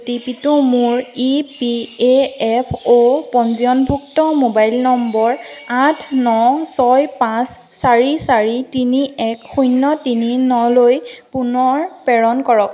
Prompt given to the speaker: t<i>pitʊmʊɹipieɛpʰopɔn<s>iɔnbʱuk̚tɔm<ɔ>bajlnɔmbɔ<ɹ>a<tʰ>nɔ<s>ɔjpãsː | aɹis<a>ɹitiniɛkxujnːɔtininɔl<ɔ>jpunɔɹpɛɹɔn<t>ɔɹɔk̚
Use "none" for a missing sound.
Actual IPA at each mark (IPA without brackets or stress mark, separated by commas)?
i, z, o, ɹ, tʰ, s, a, o, k